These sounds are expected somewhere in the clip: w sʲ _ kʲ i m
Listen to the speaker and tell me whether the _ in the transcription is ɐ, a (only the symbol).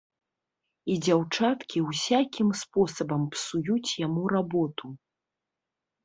a